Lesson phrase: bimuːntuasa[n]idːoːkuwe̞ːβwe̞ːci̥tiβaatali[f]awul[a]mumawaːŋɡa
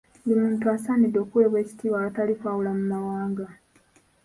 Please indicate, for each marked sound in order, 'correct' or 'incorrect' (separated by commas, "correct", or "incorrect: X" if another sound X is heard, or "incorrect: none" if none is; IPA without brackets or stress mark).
correct, correct, correct